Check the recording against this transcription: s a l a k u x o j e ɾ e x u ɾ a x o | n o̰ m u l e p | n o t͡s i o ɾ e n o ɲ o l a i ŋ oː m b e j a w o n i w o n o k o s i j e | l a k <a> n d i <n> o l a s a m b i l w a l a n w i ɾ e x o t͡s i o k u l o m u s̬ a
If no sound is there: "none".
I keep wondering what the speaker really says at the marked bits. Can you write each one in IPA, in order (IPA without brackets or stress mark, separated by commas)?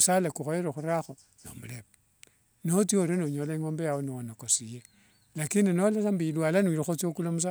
i, n